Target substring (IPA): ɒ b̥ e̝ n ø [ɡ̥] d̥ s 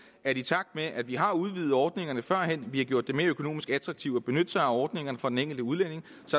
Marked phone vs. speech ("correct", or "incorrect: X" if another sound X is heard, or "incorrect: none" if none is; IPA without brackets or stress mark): incorrect: none